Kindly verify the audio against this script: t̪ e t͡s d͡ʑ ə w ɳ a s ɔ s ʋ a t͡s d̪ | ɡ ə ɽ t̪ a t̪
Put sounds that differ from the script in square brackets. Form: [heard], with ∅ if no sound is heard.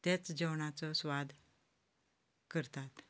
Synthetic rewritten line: t̪ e t͡s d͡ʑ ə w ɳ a [t͡s] ɔ s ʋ a [∅] d̪ | [k] ə [ɾ] t̪ a t̪

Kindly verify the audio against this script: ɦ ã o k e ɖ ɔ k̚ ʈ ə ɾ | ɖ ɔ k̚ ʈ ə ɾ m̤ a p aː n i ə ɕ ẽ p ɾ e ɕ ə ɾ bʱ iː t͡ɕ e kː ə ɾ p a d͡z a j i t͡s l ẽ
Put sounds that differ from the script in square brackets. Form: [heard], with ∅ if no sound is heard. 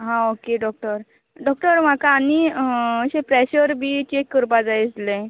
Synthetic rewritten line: ɦ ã o k e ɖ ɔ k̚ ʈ ə ɾ | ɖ ɔ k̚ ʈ ə ɾ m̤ a [k] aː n i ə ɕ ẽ p ɾ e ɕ ə ɾ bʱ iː t͡ɕ e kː ə ɾ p a d͡z a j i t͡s l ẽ

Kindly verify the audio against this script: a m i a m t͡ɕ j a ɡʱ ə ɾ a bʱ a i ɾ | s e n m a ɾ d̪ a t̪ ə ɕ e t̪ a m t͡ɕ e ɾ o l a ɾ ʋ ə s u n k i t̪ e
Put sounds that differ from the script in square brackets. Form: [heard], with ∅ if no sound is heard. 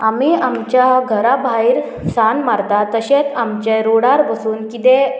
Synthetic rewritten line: a m i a m t͡ɕ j a ɡʱ ə ɾ a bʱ a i ɾ | s [a] n m a ɾ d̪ a t̪ ə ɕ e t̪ a m t͡ɕ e ɾ o [ɽ] a ɾ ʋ ə s [uː] n k i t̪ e

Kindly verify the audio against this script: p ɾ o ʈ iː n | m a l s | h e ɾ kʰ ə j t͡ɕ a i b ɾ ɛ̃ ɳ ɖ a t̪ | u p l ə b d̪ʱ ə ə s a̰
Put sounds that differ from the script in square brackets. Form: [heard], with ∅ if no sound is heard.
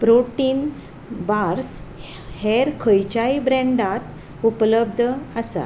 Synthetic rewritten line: p ɾ o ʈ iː n | [b] a [ɾ] s | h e ɾ kʰ ə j t͡ɕ a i b ɾ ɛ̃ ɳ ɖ a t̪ | u p l ə b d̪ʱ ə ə s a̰

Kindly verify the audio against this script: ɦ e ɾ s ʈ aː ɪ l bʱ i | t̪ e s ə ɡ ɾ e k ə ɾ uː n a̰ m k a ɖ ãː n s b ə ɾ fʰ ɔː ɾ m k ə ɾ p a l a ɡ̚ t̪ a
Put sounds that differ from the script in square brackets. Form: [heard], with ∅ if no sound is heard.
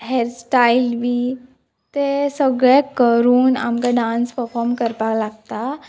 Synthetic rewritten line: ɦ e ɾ s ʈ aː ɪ l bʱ i | t̪ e s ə ɡ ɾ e k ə ɾ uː n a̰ m k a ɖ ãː n s [p] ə ɾ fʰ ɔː ɾ m k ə ɾ p a l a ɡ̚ t̪ a

